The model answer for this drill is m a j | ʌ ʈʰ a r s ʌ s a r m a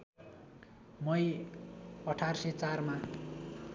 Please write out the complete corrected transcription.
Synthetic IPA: m ʌ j | ʌ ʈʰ a r s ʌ t͡s a r m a